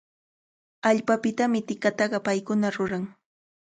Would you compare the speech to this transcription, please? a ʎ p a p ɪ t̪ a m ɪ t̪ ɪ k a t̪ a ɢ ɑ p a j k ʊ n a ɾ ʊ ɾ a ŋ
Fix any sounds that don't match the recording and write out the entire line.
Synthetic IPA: a ʎ p a p ɪ t̪ a m ɪ t̪ ɪ k a t̪ ɑ ɢ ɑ p a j k ʊ n a ɾ ʊ ɾ a ŋ

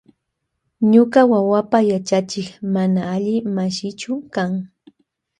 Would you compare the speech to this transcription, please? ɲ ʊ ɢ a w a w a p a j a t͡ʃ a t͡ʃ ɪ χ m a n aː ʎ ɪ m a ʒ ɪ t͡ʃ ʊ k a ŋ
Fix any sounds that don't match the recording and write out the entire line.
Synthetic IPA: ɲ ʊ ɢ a w a w a p a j a t͡ʃ a t͡ʃ ɪ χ m a n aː ʎ ɪ m a ʃ ɪ t͡ʃ ʊ k a ŋ

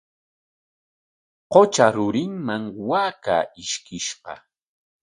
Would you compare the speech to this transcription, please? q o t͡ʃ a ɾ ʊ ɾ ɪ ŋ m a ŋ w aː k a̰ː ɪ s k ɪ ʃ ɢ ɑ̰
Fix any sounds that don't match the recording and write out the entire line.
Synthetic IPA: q o t͡ʃ a ɾ ʊ ɾ ɪ ŋ m a ŋ w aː k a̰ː ɪ ʃ k ɪ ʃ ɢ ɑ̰

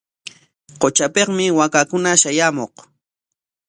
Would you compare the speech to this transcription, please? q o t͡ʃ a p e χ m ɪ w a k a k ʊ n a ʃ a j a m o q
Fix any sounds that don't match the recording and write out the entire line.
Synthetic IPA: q o t͡ʃ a p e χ m ɪ w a k a k ʊ n a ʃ a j a m o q

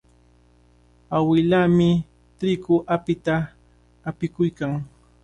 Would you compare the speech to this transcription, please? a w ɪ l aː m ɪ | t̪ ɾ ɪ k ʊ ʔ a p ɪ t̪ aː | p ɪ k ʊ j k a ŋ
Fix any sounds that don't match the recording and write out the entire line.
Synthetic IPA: a w ɪ l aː m ɪ | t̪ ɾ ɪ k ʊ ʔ a p ɪ t̪ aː | p ɪ k ʊ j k a ŋ

